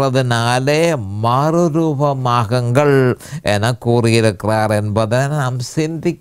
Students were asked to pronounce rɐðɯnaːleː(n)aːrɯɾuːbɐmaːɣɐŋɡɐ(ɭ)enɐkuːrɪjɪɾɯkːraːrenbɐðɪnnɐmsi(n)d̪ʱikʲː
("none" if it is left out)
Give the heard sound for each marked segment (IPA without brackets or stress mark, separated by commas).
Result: m, ɭ, n